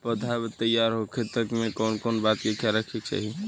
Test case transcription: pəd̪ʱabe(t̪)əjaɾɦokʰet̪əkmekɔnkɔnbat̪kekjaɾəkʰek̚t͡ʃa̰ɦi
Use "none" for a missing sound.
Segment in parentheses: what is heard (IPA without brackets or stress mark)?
t̪